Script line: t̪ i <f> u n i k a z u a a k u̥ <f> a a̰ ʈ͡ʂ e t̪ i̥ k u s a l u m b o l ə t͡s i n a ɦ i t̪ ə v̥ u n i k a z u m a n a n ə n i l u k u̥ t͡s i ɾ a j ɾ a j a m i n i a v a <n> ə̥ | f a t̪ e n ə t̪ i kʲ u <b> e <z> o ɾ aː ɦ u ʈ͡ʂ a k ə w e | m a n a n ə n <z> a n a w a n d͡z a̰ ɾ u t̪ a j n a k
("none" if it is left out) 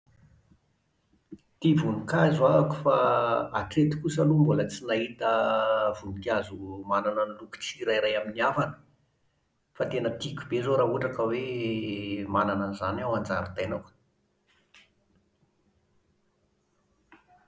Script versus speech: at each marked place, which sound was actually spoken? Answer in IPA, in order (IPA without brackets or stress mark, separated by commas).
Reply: v, f, n, b, z, z